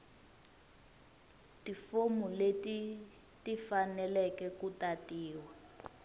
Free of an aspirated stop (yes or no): yes